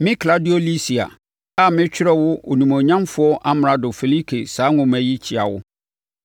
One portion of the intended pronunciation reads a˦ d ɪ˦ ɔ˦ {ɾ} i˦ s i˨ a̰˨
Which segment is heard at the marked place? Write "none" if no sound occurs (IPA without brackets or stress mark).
l